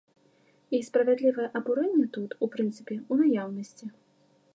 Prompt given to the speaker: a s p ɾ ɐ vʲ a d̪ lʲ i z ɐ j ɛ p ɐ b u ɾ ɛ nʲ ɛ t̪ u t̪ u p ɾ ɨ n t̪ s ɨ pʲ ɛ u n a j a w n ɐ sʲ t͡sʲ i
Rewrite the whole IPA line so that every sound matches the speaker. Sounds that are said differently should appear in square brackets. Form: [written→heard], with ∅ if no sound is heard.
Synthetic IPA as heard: [a→i] s p ɾ ɐ vʲ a d̪ lʲ i [z→v] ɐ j ɛ [p→ʔ] ɐ b u ɾ ɛ [nʲ→nʲː] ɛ t̪ u t̪ u p ɾ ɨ n t̪ s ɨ pʲ ɛ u n a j a w n ɐ sʲ t͡sʲ i